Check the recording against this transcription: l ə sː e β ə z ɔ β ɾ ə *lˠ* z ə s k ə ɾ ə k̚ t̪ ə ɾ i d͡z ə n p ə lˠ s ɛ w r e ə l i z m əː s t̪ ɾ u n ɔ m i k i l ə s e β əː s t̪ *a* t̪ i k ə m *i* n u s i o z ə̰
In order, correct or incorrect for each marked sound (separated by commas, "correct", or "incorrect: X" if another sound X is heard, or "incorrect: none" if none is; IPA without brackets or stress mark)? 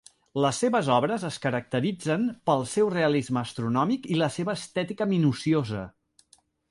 incorrect: none, incorrect: ɛ, correct